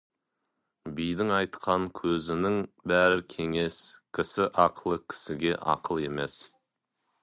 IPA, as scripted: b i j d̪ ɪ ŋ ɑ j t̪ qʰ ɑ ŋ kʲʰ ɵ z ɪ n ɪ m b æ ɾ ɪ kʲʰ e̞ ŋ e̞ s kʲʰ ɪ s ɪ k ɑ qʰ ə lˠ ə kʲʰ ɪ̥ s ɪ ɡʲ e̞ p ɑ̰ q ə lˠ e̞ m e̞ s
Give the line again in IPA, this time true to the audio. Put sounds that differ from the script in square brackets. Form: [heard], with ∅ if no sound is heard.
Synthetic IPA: b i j d̪ ɪ ŋ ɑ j t̪ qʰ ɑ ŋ kʲʰ ɵ z ɪ n ɪ [ŋ] b æ ɾ ɪ kʲʰ e̞ ŋ e̞ s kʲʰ ɪ s ɪ [ʔ] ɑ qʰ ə lˠ ə kʲʰ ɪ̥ s ɪ ɡʲ e̞ [ʔ] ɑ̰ q ə lˠ e̞ m e̞ s